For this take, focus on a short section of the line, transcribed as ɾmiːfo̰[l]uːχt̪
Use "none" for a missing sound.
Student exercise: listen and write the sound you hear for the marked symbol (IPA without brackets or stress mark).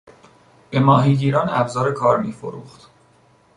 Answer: ɾ